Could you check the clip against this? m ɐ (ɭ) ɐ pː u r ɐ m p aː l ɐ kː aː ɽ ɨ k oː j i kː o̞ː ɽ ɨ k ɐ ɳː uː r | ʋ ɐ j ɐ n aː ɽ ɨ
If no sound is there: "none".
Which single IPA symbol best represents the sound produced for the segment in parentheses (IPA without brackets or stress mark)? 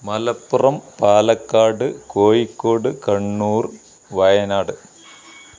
l